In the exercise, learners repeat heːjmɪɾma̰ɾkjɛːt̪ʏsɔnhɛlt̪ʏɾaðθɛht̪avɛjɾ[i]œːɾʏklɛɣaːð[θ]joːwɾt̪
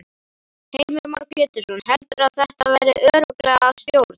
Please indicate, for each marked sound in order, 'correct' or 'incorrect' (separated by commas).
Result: incorrect, incorrect